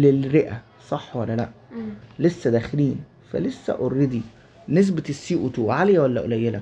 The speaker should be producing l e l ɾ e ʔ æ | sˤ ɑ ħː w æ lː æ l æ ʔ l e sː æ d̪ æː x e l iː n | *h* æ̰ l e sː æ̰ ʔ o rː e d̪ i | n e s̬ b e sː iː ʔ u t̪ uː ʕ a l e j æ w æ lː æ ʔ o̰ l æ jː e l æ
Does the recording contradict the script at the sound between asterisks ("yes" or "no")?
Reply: yes